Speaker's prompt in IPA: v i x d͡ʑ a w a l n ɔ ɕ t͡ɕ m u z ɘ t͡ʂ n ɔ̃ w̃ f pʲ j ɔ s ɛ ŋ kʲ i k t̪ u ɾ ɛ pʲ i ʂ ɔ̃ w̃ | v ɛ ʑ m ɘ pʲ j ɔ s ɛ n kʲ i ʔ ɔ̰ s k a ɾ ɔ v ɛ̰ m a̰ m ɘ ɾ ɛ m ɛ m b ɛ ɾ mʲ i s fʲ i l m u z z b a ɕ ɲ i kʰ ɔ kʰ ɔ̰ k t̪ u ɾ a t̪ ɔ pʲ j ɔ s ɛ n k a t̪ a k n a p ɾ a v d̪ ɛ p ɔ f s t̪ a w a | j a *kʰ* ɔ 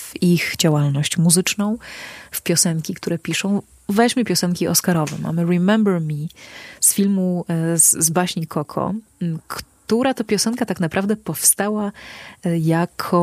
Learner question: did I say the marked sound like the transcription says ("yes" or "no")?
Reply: yes